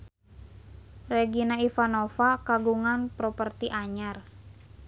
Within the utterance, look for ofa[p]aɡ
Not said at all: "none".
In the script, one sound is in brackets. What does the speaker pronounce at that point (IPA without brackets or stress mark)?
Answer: k